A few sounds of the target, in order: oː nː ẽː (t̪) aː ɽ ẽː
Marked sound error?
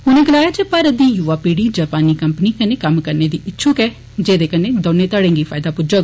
no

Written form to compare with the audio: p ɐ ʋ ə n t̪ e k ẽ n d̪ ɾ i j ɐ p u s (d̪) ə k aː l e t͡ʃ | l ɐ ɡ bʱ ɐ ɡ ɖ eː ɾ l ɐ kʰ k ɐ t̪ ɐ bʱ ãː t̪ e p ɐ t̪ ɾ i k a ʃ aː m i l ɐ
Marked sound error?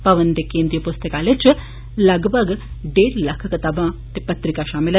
yes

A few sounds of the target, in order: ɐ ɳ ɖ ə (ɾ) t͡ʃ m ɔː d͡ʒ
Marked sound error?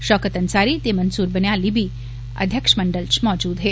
yes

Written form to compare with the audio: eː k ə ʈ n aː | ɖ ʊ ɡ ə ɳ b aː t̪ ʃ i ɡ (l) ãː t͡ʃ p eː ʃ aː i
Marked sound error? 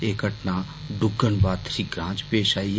yes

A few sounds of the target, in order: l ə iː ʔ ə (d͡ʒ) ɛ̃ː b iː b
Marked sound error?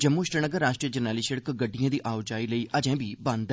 no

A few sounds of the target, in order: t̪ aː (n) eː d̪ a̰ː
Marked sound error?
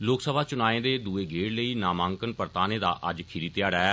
no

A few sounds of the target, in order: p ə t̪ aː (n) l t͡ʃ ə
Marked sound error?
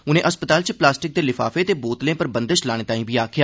yes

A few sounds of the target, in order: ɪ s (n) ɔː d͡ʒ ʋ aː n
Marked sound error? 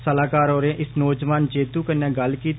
no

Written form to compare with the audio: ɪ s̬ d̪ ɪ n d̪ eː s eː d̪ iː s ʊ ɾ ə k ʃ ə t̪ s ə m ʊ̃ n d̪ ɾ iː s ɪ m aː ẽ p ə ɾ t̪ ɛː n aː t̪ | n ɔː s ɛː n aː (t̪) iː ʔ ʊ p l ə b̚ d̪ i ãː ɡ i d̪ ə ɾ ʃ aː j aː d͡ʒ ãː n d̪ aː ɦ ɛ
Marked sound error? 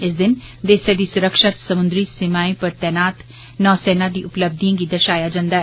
yes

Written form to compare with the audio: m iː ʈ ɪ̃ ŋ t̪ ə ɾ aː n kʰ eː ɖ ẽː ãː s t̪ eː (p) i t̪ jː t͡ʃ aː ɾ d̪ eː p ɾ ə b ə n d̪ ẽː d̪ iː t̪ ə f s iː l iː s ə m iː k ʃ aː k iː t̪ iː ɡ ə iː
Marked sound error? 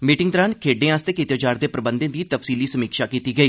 yes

